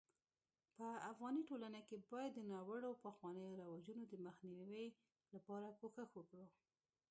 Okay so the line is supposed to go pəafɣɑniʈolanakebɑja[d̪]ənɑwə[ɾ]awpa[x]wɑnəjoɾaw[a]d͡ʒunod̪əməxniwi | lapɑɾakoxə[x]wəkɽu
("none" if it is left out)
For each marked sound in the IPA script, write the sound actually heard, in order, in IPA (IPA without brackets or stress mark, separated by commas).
d̪ː, ɽ, x, a, x